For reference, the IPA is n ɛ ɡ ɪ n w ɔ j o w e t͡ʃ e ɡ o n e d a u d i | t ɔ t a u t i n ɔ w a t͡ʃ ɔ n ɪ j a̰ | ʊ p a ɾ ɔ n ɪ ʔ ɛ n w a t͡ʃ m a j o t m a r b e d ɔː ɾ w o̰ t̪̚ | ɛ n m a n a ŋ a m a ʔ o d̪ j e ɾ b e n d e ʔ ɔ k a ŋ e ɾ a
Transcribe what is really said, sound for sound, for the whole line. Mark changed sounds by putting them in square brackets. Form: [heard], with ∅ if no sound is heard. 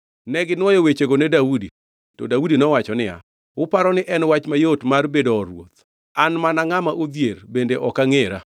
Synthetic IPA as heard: n ɛ ɡ ɪ n w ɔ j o w e t͡ʃ e ɡ o n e d a u d i | t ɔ [d] a u [d] i n ɔ w a t͡ʃ ɔ n ɪ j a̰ | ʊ p a ɾ ɔ n ɪ ʔ ɛ n w a t͡ʃ m a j o t m a r b e d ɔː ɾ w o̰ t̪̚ | [a] n m a n a ŋ a m a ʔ o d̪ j e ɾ b e n d e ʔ ɔ k a ŋ e ɾ a